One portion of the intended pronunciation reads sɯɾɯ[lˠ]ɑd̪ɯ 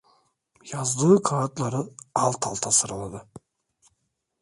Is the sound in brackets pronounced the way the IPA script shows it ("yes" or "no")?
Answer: yes